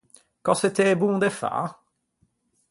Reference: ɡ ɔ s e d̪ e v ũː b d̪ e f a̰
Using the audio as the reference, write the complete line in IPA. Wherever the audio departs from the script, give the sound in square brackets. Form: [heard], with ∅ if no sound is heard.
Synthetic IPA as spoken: [k] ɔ s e [t̪] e [b] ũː [∅] d̪ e f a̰